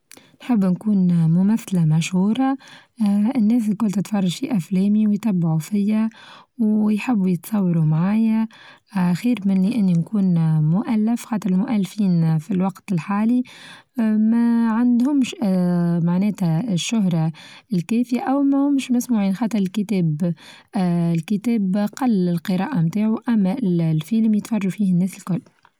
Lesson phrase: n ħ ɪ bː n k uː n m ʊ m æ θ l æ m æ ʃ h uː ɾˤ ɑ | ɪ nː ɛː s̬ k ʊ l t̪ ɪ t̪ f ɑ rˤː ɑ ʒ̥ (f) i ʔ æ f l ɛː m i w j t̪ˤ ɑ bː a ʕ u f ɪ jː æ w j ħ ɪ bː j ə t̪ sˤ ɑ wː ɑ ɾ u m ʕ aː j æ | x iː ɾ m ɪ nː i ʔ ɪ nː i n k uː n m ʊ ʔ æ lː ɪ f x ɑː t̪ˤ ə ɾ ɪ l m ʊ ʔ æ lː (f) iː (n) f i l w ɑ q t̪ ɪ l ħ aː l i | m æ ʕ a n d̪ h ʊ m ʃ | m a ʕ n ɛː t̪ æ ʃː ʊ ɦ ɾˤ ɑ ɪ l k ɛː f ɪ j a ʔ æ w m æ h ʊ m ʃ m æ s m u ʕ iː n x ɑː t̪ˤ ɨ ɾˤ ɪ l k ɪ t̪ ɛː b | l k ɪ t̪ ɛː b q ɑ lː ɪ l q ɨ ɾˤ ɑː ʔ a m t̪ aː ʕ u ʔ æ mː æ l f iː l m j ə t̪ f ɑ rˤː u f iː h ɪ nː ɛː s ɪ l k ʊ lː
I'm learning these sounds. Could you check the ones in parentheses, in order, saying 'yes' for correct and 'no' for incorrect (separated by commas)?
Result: yes, yes, yes